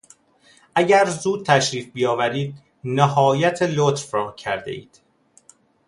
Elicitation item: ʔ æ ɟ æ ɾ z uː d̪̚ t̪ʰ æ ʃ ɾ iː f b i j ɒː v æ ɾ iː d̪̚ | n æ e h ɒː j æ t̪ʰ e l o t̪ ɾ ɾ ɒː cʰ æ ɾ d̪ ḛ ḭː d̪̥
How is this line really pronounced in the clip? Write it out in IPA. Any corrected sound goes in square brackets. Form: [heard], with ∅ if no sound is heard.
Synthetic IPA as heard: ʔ æ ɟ æ ɾ z uː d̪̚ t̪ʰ æ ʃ ɾ iː f b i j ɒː v æ ɾ iː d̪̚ | n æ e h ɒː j æ t̪ʰ e l o t̪ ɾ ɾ ɒː cʰ æ ɾ d̪ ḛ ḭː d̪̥